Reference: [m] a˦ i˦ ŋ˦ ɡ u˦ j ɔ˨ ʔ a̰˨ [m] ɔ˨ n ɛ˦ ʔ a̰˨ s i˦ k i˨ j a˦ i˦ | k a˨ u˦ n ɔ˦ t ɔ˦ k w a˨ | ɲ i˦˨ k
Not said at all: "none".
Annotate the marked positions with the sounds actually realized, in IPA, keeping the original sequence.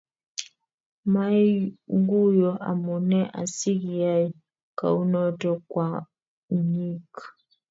m, m

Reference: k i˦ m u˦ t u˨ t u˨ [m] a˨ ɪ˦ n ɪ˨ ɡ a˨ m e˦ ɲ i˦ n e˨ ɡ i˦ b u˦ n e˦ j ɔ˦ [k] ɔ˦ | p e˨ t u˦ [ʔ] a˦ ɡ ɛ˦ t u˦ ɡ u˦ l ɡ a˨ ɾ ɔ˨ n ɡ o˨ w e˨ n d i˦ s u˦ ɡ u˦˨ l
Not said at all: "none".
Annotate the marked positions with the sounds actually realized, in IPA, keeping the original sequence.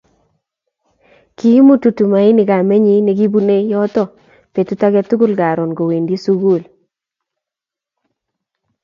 m, t, t

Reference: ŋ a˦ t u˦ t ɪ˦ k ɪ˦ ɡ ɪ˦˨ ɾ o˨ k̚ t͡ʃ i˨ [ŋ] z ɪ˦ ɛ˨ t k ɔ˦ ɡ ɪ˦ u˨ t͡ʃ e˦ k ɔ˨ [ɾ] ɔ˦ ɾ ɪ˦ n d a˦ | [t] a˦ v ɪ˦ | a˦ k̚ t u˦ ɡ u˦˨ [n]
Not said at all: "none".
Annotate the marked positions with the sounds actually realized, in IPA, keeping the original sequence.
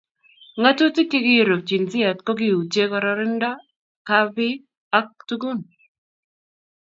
n, ɾ, k, n

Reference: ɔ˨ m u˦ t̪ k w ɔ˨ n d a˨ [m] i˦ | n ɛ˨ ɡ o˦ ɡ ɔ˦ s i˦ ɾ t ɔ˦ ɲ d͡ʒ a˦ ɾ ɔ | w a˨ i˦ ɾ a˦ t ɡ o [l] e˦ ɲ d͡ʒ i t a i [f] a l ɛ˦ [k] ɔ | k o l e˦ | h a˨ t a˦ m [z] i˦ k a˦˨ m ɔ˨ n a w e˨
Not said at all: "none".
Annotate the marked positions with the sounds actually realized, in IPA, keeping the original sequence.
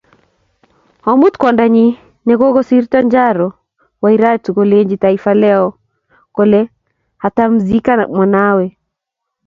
ɲ, l, f, none, z

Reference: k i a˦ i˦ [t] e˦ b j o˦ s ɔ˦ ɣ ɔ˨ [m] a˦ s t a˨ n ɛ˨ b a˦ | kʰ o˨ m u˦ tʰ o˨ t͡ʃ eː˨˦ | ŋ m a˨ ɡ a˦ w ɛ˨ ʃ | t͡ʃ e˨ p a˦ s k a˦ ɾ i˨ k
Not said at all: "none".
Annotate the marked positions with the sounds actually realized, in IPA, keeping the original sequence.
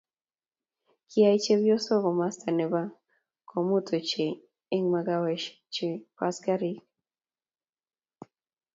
t͡ʃ, m

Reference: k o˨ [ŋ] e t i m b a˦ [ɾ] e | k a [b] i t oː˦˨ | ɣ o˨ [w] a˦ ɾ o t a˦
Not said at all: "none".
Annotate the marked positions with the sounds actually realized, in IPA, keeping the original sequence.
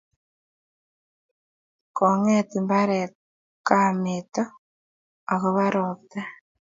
ŋ, ɾ, m, β

